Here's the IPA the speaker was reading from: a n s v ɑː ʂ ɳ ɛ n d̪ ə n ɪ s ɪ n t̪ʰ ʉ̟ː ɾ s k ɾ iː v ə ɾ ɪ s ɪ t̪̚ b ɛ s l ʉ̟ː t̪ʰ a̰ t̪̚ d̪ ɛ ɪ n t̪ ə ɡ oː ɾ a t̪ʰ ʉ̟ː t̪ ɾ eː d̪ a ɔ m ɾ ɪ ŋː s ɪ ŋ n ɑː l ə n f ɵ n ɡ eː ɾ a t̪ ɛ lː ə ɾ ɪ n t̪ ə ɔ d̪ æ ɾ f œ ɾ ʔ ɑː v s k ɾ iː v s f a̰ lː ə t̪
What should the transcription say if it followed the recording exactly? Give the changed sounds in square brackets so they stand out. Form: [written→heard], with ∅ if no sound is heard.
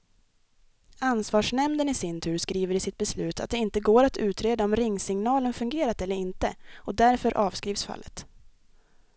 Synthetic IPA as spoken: a n s v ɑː ʂ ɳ ɛ [n→m] d̪ ə n ɪ s ɪ n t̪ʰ ʉ̟ː ɾ s k ɾ iː v ə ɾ ɪ s ɪ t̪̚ b ɛ s l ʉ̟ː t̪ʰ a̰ t̪̚ d̪ ɛ ɪ n t̪ ə ɡ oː ɾ a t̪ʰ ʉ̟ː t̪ ɾ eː d̪ a ɔ m ɾ ɪ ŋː s ɪ ŋ n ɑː l ə n f ɵ [n→ŋ] ɡ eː ɾ a t̪ ɛ lː ə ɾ ɪ n t̪ ə ɔ d̪ æ ɾ f œ ɾ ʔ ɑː v s k ɾ iː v s f a̰ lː ə t̪